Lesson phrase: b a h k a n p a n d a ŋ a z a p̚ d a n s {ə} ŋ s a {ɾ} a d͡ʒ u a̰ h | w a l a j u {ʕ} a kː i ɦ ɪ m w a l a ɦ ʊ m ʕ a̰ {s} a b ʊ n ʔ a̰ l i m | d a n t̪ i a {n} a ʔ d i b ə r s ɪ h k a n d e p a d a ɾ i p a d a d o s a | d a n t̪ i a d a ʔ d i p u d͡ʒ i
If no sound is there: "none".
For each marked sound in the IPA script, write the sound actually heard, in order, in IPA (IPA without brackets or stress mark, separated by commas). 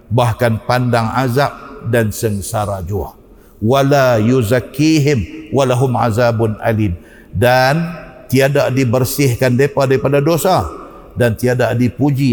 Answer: ə, ɾ, z, z, d